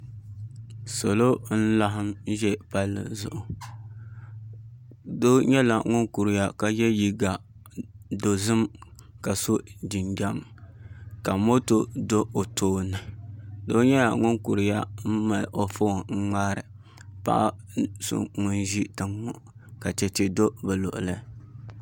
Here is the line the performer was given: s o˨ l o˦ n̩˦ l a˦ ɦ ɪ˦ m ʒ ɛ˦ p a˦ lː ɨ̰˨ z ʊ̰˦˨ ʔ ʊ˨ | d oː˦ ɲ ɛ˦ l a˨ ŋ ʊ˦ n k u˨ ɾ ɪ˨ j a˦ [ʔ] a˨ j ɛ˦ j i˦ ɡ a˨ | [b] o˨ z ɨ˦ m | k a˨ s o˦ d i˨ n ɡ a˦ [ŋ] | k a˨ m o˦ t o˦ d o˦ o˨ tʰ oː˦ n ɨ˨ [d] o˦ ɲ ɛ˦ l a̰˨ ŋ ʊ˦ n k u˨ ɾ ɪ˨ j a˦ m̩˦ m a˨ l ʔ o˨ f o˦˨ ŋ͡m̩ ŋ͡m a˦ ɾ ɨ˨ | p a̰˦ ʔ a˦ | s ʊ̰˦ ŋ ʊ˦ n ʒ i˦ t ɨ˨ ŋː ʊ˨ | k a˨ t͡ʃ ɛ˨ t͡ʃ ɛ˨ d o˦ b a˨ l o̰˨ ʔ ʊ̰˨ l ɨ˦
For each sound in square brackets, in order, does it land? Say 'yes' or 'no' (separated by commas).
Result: no, no, no, yes